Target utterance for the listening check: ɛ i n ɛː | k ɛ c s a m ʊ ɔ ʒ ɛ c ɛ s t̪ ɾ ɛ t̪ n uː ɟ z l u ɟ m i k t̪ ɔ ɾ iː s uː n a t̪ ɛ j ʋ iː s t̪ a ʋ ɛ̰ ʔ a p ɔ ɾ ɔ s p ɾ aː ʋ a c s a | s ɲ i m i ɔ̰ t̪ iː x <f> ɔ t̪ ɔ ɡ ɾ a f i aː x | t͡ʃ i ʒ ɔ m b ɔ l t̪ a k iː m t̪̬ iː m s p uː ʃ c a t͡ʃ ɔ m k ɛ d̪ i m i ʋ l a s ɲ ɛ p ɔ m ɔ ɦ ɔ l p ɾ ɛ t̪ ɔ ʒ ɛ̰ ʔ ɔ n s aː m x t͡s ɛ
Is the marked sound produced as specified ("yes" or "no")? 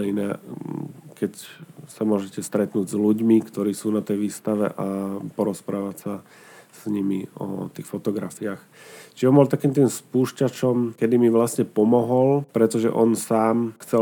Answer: yes